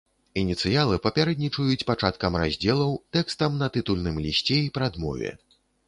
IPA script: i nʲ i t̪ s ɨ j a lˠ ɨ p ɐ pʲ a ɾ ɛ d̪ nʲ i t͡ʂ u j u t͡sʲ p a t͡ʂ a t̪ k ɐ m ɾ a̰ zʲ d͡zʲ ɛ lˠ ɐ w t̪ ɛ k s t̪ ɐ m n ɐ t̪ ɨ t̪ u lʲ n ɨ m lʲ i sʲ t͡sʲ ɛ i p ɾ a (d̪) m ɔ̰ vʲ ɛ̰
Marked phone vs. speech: correct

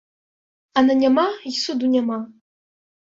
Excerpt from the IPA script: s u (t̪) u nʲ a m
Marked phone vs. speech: incorrect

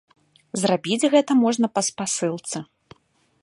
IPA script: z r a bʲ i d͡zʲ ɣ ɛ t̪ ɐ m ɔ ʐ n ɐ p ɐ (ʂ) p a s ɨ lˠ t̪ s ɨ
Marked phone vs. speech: incorrect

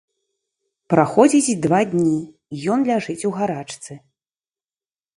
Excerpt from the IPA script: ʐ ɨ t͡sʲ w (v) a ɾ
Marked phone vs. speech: incorrect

